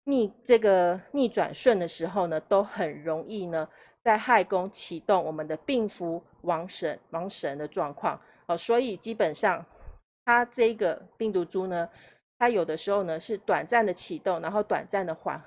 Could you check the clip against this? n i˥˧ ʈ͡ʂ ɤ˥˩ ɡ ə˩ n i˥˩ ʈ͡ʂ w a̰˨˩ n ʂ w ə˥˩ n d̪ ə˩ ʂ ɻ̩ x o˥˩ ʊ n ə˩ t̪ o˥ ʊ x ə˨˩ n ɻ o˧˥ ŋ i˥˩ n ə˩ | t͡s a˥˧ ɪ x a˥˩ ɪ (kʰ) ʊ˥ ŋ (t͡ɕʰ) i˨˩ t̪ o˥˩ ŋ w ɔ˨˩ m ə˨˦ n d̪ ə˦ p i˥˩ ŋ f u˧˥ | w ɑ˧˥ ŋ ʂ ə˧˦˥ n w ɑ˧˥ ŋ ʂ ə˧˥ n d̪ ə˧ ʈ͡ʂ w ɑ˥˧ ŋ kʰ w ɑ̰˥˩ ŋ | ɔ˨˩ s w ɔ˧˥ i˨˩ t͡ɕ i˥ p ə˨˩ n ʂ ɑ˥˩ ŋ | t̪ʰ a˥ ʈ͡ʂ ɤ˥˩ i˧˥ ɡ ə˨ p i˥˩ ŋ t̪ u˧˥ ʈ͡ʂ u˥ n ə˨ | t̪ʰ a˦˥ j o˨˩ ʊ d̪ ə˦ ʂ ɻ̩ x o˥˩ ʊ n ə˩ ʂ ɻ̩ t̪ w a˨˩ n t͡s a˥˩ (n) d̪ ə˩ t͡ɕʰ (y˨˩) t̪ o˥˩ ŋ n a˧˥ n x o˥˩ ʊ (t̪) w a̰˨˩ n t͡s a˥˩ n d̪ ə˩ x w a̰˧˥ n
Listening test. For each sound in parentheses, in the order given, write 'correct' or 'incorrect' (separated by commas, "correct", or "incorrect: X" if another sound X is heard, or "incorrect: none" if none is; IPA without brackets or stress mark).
incorrect: k, correct, correct, incorrect: i˨˩, correct